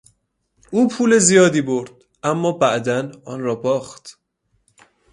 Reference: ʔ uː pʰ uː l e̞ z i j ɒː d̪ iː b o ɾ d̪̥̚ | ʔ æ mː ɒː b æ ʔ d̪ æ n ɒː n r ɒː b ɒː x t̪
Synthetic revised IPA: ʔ uː pʰ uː l e̞ z i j ɒː d̪ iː b o ɾ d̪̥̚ | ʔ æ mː ɒː b æ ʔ d̪ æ n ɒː n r ɒː b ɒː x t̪